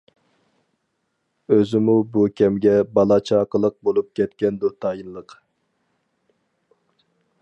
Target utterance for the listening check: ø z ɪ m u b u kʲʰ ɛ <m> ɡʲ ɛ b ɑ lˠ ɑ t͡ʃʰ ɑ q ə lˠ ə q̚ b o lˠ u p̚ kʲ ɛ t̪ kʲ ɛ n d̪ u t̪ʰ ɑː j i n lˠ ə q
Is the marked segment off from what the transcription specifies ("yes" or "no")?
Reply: no